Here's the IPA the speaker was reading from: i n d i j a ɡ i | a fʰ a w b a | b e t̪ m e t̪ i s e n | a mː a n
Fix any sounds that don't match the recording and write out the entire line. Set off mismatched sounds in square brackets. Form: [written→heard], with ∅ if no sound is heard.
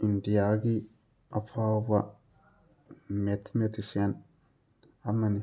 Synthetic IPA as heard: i n d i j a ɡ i | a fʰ a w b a | [b→m] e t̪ m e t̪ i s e n | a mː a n

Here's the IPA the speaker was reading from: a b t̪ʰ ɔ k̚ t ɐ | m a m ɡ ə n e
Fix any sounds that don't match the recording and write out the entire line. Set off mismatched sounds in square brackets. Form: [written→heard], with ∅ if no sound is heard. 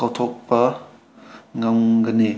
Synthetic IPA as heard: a [b→w] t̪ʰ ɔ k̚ [t→p] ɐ | [m→ŋ] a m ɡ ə n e

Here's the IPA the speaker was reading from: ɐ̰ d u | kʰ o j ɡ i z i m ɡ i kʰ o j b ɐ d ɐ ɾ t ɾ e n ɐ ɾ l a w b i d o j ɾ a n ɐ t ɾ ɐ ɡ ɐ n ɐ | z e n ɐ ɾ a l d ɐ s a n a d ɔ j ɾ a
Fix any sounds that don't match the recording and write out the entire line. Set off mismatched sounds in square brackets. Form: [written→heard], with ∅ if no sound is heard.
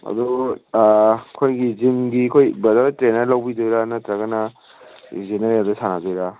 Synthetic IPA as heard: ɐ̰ d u | kʰ o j ɡ i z i m ɡ i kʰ o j b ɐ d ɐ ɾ t ɾ e n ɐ ɾ l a w b i d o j ɾ a n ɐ t ɾ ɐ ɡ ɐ n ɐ | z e n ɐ ɾ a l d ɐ s a n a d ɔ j ɾ a

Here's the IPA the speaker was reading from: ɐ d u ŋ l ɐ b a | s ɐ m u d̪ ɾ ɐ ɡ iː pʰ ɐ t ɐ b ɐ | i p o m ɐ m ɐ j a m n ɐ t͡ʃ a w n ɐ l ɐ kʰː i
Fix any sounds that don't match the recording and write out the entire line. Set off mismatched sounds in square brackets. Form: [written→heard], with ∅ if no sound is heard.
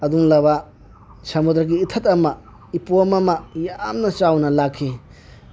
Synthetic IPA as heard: ɐ d u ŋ l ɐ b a | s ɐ m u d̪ ɾ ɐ ɡ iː [pʰ→tʰ] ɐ t ɐ [b→m] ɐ | i p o m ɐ m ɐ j a m n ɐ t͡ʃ a w n ɐ l [ɐ→a] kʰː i

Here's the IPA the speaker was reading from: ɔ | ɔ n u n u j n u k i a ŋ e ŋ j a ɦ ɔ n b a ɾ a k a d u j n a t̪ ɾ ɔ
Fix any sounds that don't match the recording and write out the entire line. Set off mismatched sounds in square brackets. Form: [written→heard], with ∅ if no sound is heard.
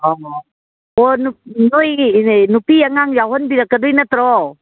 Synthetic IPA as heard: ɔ | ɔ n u n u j n u [k→p] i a ŋ [e→a] ŋ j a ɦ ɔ n b [a→i] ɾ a k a d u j n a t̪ ɾ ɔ

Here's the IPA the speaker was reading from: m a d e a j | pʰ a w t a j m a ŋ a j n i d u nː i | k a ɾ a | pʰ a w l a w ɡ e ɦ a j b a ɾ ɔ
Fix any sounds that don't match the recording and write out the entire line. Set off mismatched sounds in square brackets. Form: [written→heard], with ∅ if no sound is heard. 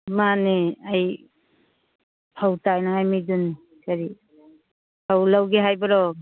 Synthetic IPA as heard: m a [d→n] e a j | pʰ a w t a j [m→n] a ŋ a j [n→m] i d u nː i | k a ɾ [a→i] | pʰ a w l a w ɡ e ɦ a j b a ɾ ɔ

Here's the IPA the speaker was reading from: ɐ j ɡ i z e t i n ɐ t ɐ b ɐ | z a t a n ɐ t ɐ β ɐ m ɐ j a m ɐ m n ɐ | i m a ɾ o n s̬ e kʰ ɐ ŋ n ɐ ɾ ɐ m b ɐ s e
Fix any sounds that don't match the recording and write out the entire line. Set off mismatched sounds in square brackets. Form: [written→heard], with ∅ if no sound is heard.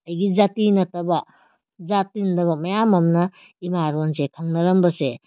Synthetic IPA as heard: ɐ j ɡ i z [e→a] t i n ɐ t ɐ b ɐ | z a t [a→i] n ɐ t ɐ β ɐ m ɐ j a m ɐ m n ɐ | i m a ɾ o n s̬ e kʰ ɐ ŋ n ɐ ɾ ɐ m b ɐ s e

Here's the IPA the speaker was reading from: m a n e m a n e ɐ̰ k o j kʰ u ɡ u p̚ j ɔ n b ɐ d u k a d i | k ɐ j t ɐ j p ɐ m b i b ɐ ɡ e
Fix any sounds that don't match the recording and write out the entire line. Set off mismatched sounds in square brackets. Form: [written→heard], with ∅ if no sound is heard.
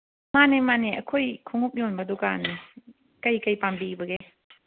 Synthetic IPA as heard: m a n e m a n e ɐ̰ [k→kʰ] o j kʰ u [ɡ→ŋ] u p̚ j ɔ n b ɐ d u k a [d→n] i | k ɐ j [t→k] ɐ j p [ɐ→a] m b i b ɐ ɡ e

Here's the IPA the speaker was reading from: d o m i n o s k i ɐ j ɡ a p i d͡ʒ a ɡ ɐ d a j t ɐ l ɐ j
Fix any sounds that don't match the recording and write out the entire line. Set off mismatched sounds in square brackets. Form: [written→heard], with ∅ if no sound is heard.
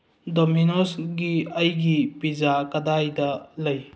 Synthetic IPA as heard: d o m i n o s [k→ɡ] i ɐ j ɡ [a→i] p i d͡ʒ a [ɡ→k] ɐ d a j [t→d] ɐ l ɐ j

